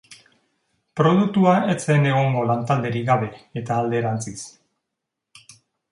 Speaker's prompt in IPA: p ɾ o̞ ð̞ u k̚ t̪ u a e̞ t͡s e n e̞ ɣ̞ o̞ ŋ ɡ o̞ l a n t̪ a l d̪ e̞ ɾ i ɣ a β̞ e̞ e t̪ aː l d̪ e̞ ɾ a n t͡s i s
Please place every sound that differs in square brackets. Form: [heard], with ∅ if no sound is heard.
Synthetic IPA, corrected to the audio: p ɾ o̞ ð̞ u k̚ t̪ u a e̞ t͡s e n e̞ ɣ̞ o̞ ŋ ɡ o̞ l a n t̪ a l d̪ e̞ ɾ i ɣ a β̞ e̞ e t̪ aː l d̪ e̞ ɾ a n t͡s i s